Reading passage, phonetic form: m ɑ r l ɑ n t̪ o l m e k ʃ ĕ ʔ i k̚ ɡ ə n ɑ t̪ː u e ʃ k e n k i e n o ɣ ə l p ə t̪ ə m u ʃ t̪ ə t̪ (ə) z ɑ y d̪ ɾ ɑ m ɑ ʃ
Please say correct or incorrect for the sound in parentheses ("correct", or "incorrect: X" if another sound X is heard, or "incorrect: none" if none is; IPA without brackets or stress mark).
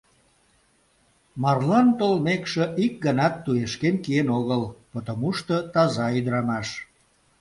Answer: incorrect: ɑ